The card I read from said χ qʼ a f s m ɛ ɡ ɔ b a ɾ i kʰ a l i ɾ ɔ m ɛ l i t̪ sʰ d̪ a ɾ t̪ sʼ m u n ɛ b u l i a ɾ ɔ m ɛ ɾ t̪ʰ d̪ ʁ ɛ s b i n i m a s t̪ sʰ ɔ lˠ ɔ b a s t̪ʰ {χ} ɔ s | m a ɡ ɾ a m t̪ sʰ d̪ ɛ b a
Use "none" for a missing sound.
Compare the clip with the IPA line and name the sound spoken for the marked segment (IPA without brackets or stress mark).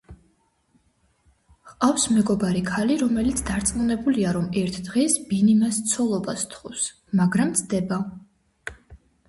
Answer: χ